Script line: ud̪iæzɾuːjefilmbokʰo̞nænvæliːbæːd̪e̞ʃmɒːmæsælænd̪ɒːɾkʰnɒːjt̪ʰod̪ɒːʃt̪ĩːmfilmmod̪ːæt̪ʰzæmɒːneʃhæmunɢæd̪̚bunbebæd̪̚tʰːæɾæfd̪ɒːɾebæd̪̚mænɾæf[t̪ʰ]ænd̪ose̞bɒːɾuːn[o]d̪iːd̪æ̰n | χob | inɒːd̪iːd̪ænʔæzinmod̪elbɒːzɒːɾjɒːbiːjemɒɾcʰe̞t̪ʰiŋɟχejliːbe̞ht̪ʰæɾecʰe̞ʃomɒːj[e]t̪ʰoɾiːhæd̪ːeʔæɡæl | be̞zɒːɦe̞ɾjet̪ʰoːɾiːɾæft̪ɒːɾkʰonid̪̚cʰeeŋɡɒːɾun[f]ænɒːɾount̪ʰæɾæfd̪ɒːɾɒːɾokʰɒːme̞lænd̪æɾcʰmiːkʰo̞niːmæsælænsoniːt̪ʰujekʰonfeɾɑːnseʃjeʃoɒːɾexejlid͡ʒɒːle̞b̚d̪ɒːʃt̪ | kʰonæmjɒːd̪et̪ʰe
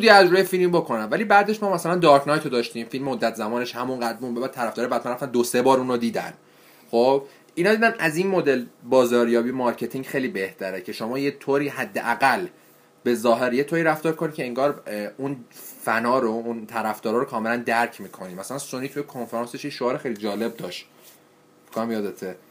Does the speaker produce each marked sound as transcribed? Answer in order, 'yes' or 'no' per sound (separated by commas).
no, yes, yes, yes